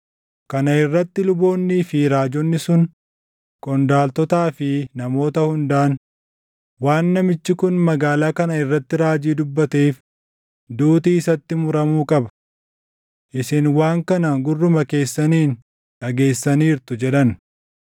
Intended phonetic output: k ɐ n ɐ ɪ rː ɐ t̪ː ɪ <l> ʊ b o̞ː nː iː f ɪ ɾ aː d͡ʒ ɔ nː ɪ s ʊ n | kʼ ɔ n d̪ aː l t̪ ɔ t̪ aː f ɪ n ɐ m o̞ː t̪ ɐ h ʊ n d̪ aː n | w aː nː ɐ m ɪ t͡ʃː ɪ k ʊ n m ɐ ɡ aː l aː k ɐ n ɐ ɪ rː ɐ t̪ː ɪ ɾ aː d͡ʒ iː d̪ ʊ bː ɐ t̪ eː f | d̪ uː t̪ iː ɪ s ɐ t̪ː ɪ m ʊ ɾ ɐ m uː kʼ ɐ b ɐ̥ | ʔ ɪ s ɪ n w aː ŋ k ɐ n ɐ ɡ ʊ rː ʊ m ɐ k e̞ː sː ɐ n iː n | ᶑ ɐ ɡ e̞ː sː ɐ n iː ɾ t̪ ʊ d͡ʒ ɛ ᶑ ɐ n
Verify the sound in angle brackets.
correct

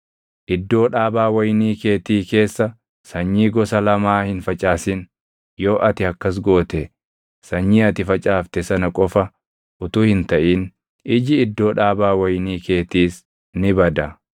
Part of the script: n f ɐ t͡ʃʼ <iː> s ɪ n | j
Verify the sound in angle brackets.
incorrect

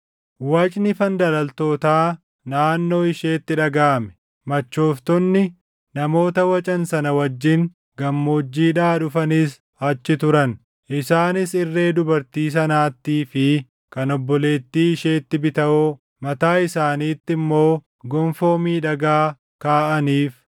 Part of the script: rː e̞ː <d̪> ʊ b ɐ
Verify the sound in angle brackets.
correct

